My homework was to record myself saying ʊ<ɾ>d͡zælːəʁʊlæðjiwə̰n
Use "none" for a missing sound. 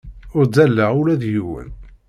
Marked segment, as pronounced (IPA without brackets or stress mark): ɾ